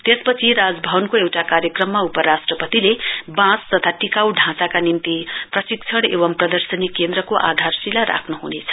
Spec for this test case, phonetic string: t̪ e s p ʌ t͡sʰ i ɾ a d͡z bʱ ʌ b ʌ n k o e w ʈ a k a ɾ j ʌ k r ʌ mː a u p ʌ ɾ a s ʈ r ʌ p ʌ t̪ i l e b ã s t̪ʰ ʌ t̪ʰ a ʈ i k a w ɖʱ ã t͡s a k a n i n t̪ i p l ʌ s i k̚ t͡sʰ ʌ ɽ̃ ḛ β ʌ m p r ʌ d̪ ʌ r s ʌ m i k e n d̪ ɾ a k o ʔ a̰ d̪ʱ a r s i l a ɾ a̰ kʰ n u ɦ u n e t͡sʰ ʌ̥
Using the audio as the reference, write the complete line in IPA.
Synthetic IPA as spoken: t̪ e s p ʌ t͡sʰ i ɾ a d͡z bʱ ʌ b ʌ n k o e w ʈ a k a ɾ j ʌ k r ʌ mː a u p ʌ ɾ a s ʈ r ʌ p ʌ t̪ i l e b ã s t̪ ʌ t̪ʰ a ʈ i k a w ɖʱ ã t͡s a k a n i n t̪ i p r ʌ s i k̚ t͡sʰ ʌ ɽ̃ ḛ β ʌ m p r ʌ d̪ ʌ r s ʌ n i k e n d̪ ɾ ʌ k o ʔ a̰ d̪ʱ a r s i l a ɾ a̰ kʰ n u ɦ u n e t͡sʰ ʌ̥

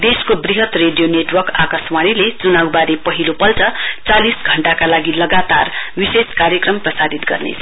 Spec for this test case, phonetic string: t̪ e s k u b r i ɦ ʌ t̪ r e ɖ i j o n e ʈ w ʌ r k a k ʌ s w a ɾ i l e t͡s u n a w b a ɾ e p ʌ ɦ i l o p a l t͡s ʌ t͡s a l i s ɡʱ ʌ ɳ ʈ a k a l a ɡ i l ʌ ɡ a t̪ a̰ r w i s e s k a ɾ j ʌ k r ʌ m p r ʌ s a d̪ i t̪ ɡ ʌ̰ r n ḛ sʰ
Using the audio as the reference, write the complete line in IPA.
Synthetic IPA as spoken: d̪ e s k o b r i ɦ ʌ t̪ r e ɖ i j o n e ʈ w ʌ r k a k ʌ s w a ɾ i l e t͡s u n a w b a ɾ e p ʌ ɦ i l o p ʌ l t͡s ʌ t͡s a l i s ɡʱ ʌ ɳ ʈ a k a l a ɡ i l ʌ ɡ a t̪ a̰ r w i s e s k a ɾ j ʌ k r ʌ m p r ʌ s a d̪ i t̪ ɡ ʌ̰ r n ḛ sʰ

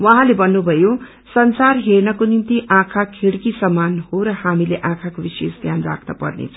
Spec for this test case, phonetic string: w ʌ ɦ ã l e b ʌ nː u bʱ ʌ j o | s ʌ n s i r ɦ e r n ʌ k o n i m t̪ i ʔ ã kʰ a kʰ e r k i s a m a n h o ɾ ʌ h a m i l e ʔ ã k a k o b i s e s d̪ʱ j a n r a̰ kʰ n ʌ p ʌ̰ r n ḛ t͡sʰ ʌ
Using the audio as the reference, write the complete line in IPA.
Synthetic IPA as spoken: w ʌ ɦ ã l e b ʌ nː u bʱ ʌ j o | s ʌ n s a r ɦ e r n ʌ k o n i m t̪ i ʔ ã kʰ a kʰ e ɽ k i s ʌ m a n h o ɾ ʌ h a m i l e ʔ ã kʰ a k o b i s e s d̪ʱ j a n r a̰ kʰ n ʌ p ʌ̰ r n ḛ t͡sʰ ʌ

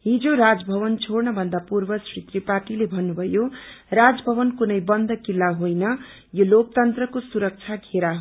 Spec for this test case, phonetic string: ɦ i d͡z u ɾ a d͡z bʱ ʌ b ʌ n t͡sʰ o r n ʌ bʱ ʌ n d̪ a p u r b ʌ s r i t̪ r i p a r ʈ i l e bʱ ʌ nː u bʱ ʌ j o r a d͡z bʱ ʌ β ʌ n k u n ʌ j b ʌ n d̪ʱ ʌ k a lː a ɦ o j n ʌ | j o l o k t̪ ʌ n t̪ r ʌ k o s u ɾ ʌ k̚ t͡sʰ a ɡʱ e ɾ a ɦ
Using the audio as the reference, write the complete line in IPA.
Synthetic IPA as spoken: ɦ i d͡z o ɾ a d͡z bʱ ʌ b ʌ n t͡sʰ o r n ʌ bʱ ʌ n d̪ a p u r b ʌ s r i t̪ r i p a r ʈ i l e bʱ ʌ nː u bʱ ʌ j o r a d͡z bʱ ʌ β ʌ n k u n ʌ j b ʌ n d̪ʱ ʌ k i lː a ɦ o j n ʌ | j o l o k t̪ ʌ n t̪ r ʌ k o s u ɾ ʌ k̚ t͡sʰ a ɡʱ e ɾ a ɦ

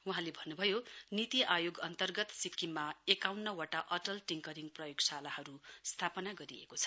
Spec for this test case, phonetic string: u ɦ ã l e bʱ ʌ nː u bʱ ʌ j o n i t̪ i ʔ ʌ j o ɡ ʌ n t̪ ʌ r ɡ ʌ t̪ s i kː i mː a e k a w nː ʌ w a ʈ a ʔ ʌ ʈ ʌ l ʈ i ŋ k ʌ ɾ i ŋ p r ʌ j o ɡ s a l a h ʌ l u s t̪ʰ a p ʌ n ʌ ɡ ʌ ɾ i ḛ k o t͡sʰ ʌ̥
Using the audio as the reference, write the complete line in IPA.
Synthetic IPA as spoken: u ɦ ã l e bʱ ʌ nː u bʱ ʌ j o n i t̪ i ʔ a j o ɡ ʌ n t̪ ʌ r ɡ ʌ t̪ s i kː i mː a e k a w nː ʌ w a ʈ a ʔ ʌ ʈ ʌ l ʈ i ŋ k ʌ ɾ i ŋ p r ʌ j o ɡ s a l a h ʌ ɾ u s t̪ʰ a p ʌ n a ɡ ʌ ɾ i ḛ k o t͡sʰ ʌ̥

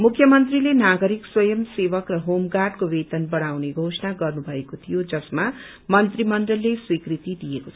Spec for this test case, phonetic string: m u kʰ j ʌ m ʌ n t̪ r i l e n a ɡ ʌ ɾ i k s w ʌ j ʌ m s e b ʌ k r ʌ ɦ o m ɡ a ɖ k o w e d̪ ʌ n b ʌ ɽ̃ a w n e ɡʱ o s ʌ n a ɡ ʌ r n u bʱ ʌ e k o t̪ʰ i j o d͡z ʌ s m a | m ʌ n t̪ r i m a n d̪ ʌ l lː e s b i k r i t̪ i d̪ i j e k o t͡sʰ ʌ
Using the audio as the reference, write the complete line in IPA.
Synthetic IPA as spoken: m u kʰ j ʌ m ʌ n t̪ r i l e n a ɡ ʌ ɾ i k s w ʌ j ʌ m s e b ʌ k r ʌ ɦ o m ɡ a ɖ k o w e t̪ ʌ n b ʌ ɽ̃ a w n e ɡʱ o s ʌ n a ɡ ʌ r n u bʱ ʌ e k o t̪ʰ i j o d͡z ʌ s m a | m ʌ n t̪ r i m ʌ n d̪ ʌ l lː e s w i k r i t̪ i d̪ i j e k o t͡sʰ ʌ

